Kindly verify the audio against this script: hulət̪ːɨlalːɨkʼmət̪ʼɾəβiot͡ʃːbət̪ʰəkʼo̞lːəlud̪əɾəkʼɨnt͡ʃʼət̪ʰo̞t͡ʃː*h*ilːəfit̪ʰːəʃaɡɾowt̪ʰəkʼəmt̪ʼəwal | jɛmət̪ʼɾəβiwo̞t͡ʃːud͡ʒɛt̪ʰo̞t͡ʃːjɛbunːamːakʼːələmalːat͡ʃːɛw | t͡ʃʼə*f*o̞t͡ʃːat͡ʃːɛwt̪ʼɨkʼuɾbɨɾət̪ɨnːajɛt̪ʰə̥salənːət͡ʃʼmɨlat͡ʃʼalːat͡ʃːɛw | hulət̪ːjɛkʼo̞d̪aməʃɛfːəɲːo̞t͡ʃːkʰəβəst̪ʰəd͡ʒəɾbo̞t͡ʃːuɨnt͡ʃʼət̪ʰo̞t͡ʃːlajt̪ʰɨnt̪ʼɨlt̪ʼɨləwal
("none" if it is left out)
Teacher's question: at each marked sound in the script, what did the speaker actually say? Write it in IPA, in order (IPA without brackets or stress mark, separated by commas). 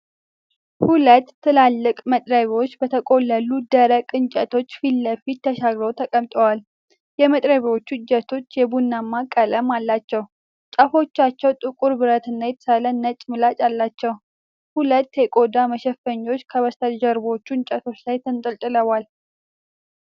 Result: f, f